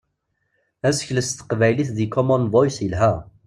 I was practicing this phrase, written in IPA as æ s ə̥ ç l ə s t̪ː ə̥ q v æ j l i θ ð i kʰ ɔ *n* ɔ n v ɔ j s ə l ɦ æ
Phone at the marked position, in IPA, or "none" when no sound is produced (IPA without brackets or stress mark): m